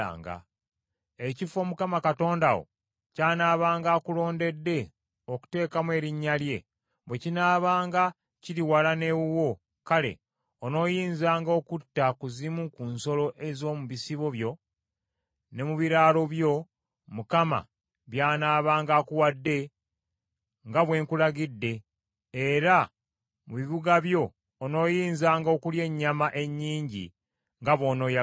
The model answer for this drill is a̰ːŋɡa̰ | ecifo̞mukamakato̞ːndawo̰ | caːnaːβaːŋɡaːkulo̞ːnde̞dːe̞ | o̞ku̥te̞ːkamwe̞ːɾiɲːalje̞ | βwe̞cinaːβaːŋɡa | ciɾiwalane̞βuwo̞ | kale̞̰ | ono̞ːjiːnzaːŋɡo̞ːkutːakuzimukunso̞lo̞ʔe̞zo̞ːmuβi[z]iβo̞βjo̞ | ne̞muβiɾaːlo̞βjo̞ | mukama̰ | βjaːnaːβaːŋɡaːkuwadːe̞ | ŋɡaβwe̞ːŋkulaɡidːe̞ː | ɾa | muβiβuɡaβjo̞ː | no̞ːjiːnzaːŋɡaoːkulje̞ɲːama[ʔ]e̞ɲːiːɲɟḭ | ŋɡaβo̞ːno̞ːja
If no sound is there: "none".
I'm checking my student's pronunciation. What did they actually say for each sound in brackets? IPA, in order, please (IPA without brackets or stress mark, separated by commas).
s, ʔ